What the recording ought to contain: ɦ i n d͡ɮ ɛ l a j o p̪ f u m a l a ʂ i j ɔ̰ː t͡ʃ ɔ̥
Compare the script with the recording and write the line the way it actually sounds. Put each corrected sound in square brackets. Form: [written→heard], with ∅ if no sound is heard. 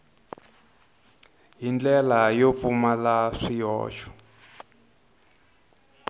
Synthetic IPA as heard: ɦ i n d͡ɮ ɛ l a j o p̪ f u m a l a ʂ i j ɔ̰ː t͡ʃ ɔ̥